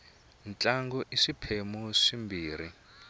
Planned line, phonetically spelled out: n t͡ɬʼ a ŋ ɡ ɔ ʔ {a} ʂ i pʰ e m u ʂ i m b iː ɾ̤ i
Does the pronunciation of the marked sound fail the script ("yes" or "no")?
yes